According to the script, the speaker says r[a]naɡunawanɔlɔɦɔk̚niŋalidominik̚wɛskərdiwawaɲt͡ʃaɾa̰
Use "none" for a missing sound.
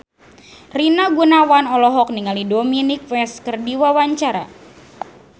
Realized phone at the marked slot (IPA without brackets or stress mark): i